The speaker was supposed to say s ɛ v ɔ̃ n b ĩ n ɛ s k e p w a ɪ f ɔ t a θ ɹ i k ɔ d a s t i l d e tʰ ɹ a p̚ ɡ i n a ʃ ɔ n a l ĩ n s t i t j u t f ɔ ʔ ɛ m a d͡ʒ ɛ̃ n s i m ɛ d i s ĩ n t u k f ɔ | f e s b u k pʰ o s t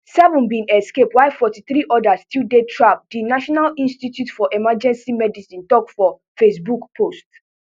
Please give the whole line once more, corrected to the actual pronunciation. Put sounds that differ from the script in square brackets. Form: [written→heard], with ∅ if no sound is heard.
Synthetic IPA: s ɛ v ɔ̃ n b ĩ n ɛ s k e p w a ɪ f ɔ t [a→i] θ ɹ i [k→ʔ] ɔ d a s t i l d e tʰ ɹ a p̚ [ɡ→d] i n a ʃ ɔ n a l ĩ n s t i t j u t f ɔ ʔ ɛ m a d͡ʒ ɛ̃ n s i m ɛ d i s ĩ n t [u→ɔ] k f ɔ | f e s b u k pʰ o s t